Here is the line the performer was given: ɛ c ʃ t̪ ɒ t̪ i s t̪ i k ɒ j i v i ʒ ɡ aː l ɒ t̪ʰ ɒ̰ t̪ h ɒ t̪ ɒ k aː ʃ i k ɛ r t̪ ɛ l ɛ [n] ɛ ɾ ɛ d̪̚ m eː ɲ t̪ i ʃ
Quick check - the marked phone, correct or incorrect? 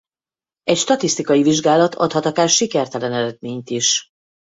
correct